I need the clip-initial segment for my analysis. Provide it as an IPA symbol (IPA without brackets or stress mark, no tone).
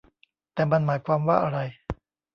t̪